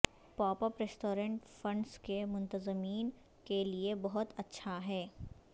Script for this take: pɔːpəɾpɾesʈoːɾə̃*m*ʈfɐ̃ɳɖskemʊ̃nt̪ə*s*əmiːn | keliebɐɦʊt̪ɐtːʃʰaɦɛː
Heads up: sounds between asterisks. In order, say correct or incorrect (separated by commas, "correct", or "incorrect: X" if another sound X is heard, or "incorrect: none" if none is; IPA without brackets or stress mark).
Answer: incorrect: ɳ, incorrect: z